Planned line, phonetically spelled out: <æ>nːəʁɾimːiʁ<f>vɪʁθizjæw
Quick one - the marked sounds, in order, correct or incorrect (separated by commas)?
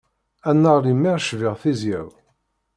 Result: correct, incorrect